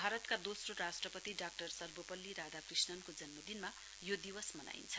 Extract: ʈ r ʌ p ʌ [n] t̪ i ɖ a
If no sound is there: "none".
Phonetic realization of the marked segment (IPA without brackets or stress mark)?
none